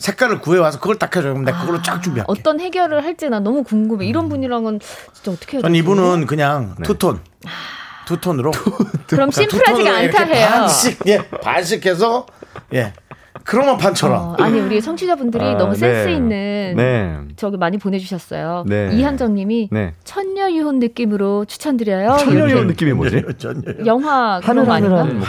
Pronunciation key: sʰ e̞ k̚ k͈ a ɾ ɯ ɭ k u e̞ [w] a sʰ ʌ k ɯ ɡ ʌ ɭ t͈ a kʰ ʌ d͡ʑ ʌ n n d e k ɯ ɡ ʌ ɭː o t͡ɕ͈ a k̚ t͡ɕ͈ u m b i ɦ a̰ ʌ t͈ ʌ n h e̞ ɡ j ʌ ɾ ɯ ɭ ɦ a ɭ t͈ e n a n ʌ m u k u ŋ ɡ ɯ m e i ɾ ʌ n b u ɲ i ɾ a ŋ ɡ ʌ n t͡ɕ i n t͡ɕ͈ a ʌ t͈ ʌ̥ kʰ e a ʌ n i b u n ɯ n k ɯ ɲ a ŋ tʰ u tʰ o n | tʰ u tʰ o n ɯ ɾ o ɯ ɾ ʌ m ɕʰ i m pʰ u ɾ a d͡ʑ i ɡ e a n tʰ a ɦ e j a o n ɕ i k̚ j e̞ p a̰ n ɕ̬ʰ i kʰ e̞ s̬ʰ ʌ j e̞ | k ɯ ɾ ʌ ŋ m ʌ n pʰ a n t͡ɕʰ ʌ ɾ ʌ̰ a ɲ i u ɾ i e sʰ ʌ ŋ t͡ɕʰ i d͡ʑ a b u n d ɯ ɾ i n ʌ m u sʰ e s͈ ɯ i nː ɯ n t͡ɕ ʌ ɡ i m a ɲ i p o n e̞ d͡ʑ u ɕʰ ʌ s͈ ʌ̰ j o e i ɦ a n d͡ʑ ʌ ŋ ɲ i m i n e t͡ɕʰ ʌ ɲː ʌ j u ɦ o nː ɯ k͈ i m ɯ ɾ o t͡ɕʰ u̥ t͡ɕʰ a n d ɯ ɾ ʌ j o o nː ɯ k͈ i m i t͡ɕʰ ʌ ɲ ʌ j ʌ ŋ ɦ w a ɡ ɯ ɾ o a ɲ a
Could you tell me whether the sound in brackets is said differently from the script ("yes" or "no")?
no